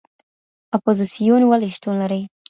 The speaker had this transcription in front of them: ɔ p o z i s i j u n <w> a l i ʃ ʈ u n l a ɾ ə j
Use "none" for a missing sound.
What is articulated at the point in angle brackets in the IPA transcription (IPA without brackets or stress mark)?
w